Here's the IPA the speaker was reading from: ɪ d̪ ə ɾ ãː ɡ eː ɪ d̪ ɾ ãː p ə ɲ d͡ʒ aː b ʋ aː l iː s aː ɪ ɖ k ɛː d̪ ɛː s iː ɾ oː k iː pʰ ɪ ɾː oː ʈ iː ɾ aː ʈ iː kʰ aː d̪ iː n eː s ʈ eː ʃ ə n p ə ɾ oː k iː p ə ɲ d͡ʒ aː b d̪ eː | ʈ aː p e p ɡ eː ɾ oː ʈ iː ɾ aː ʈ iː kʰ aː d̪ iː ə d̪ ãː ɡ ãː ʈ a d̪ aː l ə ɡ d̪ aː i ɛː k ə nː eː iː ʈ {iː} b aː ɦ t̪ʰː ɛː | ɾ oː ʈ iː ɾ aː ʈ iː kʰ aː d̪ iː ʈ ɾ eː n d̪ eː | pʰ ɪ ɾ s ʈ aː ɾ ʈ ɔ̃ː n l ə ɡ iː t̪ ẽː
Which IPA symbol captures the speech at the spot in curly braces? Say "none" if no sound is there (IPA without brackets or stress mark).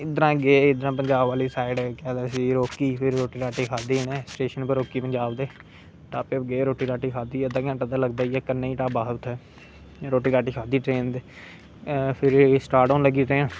aː